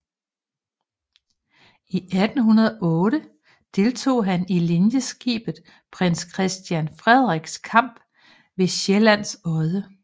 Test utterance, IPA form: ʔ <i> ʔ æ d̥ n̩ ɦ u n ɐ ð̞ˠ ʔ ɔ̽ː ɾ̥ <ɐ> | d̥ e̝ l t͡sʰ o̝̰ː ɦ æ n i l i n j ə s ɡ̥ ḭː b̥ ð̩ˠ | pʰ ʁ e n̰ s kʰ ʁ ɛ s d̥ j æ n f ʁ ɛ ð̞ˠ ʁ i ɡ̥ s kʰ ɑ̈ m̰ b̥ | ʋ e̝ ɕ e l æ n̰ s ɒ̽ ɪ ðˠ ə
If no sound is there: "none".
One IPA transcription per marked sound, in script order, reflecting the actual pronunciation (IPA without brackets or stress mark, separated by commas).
i, ə